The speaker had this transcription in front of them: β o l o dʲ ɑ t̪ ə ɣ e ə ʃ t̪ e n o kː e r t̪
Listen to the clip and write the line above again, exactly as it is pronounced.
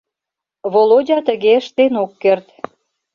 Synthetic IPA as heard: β o l o dʲ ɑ t̪ ə ɣ e ə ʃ t̪ e n o kː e r t̪